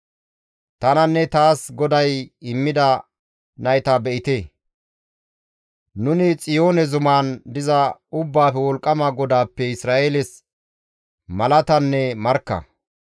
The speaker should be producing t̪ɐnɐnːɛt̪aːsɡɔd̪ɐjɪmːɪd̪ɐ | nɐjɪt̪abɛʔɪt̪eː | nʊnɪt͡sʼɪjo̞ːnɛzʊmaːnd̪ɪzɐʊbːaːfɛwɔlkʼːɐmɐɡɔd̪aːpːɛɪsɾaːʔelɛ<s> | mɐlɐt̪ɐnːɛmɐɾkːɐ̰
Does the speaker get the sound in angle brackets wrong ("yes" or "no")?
no